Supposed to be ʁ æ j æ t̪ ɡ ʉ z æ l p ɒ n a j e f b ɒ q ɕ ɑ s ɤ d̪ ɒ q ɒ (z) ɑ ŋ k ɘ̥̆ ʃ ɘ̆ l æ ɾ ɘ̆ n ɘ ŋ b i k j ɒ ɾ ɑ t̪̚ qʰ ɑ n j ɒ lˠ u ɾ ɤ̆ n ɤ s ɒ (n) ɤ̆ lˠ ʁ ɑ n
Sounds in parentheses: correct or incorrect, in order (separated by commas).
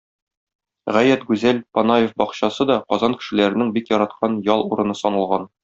correct, correct